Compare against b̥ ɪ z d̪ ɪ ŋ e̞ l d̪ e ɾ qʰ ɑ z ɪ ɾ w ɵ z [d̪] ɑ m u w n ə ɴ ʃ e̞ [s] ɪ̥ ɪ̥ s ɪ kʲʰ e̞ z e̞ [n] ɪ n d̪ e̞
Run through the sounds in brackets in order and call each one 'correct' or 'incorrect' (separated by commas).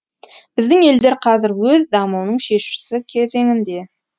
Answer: correct, incorrect, incorrect